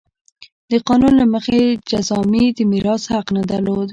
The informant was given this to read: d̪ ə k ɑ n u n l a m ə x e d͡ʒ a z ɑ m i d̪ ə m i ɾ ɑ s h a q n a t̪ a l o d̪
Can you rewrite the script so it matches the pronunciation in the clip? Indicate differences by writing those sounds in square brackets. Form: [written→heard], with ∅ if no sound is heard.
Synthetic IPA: d̪ ə [k→q] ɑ n u n l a m ə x e d͡ʒ a z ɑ m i d̪ ə m i ɾ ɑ s h a q n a [t̪→d̪] a l o d̪